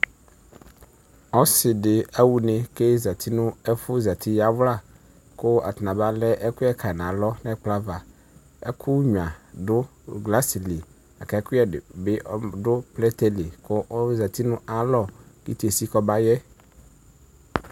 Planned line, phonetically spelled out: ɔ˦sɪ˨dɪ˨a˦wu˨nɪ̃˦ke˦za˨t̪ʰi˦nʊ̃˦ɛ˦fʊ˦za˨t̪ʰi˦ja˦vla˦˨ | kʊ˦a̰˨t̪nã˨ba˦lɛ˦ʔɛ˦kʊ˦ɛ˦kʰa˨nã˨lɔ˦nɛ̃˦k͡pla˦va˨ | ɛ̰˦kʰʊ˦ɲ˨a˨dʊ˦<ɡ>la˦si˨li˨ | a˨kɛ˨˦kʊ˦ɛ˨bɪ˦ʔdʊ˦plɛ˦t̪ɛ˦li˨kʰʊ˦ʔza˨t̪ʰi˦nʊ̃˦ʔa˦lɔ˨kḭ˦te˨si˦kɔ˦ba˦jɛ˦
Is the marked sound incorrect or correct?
correct